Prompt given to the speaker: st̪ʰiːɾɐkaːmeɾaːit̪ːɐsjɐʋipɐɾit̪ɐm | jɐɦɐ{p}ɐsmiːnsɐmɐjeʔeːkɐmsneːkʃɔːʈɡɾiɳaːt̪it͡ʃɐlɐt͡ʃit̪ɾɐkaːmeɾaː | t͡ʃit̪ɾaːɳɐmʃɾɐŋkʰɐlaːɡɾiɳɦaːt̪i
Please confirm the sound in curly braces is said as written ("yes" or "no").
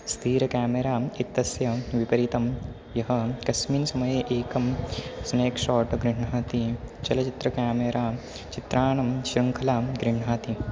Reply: no